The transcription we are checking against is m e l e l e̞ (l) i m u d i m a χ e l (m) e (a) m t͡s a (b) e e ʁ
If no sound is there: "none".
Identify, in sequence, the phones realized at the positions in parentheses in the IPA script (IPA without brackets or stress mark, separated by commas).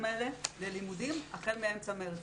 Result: l, m, e, m